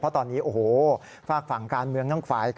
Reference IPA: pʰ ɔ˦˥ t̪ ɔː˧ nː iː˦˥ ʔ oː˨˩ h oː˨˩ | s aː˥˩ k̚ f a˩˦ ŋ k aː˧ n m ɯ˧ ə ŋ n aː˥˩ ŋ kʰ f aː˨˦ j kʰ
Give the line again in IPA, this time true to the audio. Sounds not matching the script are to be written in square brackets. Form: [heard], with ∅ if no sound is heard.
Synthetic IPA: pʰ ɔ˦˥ t̪ ɔː˧ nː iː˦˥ ʔ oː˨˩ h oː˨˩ | [f] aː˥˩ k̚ f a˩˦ ŋ k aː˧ n m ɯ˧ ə ŋ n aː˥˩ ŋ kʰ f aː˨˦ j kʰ